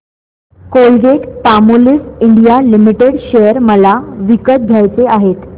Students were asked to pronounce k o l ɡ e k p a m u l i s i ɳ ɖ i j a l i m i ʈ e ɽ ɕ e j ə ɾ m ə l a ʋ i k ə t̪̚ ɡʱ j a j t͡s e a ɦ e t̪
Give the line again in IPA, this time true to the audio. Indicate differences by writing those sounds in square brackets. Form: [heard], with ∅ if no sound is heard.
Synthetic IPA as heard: k o l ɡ e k p a m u l i s i ɳ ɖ i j a l i m i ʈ e ɽ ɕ e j ə ɾ m ə l a ʋ i k ə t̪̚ ɡʱ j a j t͡s e a ɦ e t̪